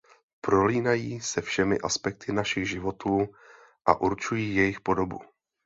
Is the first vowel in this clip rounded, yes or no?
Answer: yes